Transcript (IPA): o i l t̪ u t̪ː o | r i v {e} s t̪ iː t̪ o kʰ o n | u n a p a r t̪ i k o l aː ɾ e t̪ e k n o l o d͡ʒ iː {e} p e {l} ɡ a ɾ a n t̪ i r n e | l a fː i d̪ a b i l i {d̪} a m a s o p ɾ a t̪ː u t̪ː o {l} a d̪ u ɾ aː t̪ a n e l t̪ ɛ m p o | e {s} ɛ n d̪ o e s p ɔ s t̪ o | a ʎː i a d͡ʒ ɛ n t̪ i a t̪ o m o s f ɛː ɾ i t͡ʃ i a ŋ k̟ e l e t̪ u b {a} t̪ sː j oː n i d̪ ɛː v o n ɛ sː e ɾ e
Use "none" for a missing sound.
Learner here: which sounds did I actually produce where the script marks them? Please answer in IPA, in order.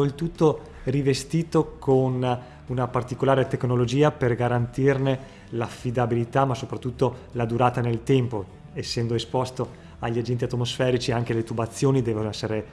e, a, r, t̪, l, sː, a

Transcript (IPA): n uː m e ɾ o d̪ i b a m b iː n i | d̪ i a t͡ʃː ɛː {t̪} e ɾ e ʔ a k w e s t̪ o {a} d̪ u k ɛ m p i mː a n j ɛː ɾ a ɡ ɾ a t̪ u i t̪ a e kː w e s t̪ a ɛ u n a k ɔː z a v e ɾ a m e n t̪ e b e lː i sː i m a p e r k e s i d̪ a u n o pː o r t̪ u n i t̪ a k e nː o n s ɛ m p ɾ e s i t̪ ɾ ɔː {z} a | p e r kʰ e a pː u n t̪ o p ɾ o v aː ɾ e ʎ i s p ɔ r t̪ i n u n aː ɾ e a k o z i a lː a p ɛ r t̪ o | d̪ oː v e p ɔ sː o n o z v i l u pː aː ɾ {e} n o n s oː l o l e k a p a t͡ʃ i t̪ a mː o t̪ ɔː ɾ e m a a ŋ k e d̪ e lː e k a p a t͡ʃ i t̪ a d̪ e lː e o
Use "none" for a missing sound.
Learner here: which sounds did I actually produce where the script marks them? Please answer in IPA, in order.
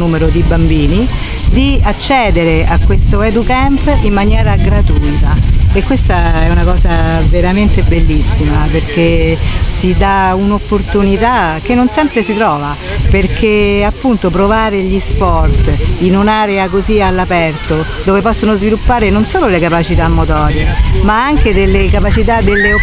d̪, ɛ, v, e

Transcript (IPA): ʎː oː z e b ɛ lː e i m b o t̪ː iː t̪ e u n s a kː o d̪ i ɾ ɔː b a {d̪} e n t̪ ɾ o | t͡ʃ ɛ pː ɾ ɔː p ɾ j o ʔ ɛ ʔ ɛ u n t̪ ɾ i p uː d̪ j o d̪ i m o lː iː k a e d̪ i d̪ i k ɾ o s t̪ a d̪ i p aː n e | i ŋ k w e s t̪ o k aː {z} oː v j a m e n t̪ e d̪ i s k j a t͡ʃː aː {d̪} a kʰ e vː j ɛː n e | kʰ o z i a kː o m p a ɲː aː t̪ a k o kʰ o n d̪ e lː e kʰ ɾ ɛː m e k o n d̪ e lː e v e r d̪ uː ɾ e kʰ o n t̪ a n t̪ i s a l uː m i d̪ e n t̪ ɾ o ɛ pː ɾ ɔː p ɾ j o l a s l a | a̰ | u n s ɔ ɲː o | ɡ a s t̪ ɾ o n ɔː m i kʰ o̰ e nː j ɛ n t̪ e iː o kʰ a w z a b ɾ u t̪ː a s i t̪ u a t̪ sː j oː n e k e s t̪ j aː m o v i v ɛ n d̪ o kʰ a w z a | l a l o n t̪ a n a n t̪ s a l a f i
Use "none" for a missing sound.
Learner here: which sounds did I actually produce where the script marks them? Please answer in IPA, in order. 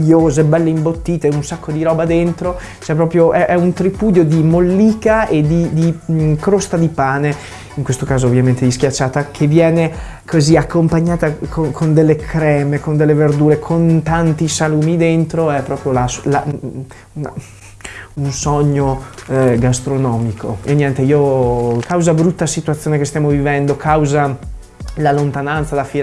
d̪, z, t̪

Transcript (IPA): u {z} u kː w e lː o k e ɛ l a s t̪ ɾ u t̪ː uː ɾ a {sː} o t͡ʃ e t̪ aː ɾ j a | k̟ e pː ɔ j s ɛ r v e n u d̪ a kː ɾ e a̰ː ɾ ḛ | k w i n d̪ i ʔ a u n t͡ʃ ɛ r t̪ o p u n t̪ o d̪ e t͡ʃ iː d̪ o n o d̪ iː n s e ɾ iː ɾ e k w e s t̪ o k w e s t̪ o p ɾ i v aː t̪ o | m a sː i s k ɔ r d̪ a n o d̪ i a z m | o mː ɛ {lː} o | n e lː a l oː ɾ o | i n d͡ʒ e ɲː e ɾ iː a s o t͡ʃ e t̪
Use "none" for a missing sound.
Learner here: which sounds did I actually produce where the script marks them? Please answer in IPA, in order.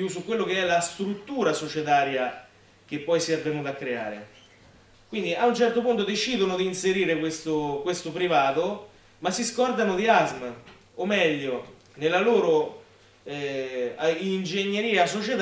s, s, ʎː

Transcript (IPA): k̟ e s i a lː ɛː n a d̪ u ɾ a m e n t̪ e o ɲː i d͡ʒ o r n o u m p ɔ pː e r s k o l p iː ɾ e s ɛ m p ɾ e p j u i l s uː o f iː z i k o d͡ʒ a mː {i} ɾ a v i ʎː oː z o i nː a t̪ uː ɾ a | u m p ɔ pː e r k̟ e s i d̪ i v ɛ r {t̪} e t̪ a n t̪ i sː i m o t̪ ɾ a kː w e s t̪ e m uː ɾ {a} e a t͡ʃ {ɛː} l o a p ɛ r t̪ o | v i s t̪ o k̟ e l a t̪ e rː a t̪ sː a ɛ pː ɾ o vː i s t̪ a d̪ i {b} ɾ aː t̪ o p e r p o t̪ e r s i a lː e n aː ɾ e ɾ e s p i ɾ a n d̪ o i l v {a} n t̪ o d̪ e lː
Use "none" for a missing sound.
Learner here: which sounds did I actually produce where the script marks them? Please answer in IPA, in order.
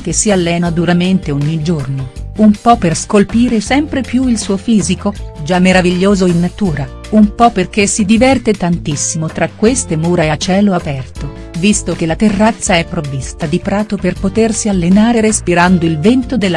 e, t̪, a, ɛː, p, ɛ

